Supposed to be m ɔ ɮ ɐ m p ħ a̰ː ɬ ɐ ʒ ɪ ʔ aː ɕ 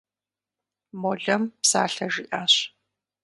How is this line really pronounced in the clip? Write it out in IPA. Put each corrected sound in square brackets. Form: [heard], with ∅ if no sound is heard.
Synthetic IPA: m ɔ ɮ ɐ m p [s] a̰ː ɬ ɐ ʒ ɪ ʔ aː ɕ